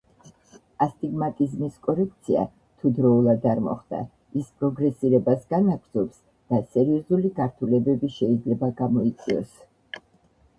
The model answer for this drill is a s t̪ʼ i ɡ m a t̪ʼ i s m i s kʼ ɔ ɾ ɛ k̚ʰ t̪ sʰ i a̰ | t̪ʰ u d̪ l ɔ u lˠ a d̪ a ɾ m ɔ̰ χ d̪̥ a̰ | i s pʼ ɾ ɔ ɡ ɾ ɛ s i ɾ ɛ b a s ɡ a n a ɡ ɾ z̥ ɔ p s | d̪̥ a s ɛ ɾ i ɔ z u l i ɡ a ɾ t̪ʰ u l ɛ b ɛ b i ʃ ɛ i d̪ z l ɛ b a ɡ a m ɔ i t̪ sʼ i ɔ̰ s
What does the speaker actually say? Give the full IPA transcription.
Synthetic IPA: a s t̪ʼ i ɡ m a t̪ʼ i z m i s kʼ ɔ ɾ ɛ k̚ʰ t̪ sʰ i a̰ | t̪ʰ u d̪ ɾ ɔ u lˠ a d̪ a ɾ m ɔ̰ χ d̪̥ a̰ | i s pʼ ɾ ɔ ɡ ɾ ɛ s i ɾ ɛ b a s ɡ a n a ɡ ɾ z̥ ɔ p s | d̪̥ a s ɛ ɾ i ɔ z u l i ɡ a ɾ t̪ʰ u l ɛ b ɛ b i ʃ ɛ i d̪ z l ɛ b a ɡ a m ɔ i t̪ sʼ i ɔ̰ s